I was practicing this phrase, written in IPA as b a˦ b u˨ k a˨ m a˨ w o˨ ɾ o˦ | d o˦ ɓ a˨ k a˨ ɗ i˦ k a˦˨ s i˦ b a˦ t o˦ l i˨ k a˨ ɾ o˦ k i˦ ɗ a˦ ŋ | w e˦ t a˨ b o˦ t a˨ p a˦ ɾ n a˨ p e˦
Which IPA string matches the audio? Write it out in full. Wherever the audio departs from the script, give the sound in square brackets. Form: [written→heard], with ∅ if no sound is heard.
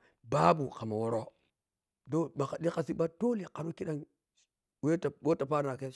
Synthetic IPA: b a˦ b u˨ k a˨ m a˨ w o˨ ɾ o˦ | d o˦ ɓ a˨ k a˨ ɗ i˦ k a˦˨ s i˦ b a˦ t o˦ l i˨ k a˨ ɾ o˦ k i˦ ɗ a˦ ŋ | w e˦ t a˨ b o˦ t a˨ p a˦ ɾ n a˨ [p→k] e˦